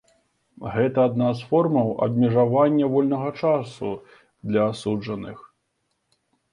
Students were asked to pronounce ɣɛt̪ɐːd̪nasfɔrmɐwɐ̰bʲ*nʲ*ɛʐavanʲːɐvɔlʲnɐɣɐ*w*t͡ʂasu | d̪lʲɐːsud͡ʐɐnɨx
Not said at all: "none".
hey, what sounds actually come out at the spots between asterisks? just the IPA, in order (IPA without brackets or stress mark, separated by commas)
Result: mʲ, none